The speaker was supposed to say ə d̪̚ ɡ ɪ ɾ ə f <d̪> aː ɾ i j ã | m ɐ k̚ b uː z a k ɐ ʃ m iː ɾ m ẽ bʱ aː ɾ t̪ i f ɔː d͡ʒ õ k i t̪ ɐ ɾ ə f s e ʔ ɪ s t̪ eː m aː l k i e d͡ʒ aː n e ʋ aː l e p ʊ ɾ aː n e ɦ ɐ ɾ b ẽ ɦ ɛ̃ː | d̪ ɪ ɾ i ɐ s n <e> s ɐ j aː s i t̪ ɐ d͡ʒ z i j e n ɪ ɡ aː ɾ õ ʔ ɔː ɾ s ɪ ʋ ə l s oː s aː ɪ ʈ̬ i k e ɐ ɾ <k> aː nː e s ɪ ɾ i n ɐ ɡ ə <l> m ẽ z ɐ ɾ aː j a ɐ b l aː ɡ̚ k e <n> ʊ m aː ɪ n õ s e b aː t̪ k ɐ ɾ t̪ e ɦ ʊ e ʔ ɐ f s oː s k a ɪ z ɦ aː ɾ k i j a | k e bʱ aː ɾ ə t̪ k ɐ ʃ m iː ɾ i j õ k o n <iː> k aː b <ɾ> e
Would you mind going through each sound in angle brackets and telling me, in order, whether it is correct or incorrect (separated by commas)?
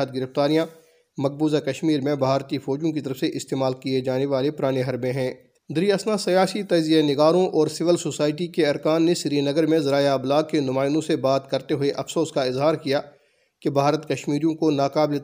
incorrect, incorrect, correct, incorrect, correct, incorrect, incorrect